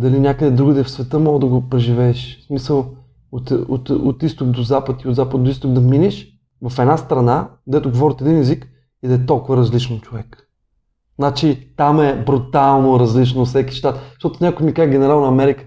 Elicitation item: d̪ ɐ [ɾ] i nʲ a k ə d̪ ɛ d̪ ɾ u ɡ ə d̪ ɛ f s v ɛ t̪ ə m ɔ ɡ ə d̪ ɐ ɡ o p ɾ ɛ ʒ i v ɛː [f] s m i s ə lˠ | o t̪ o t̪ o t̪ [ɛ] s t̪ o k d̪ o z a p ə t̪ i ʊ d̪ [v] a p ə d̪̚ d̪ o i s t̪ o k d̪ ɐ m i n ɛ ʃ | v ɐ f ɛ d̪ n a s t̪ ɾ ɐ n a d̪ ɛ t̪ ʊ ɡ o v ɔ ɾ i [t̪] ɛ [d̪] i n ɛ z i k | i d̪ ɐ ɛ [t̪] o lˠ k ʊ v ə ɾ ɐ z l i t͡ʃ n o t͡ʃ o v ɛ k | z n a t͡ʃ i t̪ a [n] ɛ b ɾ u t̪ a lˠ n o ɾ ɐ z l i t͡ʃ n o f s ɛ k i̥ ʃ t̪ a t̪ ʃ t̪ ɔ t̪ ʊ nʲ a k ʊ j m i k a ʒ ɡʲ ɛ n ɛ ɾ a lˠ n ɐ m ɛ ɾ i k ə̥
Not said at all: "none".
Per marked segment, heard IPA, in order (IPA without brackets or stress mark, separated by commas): l, ʃ, i, z, t̪, d̪, t̪, m